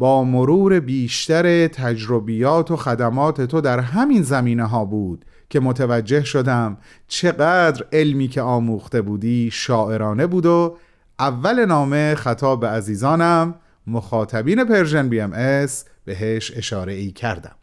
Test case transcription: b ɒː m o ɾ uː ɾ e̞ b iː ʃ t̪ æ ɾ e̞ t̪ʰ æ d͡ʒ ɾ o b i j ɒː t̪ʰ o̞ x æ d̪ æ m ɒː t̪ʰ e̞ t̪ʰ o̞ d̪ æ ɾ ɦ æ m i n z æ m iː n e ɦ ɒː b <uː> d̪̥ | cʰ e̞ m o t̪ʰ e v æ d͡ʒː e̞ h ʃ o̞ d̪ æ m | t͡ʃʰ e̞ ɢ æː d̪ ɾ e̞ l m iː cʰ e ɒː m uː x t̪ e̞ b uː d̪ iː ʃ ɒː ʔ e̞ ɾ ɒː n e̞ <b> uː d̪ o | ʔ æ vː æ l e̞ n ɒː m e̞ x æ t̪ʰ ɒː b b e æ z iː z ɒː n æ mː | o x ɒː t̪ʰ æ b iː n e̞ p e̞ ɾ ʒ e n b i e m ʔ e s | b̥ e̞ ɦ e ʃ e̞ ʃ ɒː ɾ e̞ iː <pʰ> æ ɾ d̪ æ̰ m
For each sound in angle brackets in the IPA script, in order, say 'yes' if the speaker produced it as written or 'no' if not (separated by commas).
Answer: yes, yes, no